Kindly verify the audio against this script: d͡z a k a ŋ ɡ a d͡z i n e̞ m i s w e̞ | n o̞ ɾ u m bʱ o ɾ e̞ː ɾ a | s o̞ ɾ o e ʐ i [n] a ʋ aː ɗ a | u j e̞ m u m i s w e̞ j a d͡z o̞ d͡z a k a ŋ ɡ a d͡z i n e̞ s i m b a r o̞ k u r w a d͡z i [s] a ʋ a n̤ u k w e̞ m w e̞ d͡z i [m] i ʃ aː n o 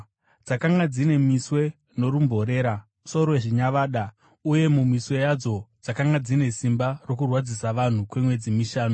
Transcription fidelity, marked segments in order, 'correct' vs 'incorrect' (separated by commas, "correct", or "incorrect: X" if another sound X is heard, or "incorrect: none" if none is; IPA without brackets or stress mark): incorrect: ɲ, correct, correct